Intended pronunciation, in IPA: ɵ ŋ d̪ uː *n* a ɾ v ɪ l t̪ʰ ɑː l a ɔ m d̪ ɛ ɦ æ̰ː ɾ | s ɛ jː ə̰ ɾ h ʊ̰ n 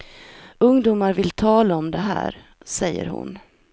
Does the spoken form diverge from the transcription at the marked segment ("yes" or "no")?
yes